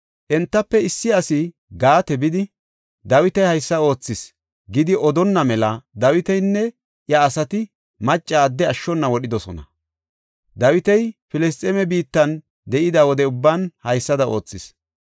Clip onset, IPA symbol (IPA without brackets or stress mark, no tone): ʔ